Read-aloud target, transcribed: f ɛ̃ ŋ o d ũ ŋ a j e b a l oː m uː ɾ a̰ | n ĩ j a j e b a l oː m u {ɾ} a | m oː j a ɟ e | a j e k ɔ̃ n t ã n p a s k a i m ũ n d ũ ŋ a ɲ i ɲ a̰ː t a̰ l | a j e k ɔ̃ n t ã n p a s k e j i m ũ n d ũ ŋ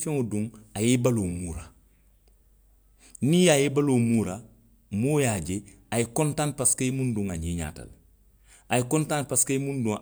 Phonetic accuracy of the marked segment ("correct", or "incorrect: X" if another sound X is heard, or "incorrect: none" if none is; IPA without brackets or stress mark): correct